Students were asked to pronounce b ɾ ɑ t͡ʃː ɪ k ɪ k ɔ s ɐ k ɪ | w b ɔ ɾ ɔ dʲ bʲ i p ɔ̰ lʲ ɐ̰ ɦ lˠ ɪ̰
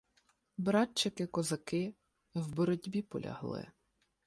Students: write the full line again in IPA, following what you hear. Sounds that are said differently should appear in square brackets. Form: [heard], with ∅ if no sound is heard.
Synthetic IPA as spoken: b ɾ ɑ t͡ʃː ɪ k ɪ k ɔ [z] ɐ k ɪ | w b ɔ ɾ ɔ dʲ bʲ i p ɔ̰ lʲ ɐ̰ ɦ lˠ ɪ̰